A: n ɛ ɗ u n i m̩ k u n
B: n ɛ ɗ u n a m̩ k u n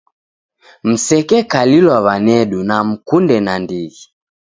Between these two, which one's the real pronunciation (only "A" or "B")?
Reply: B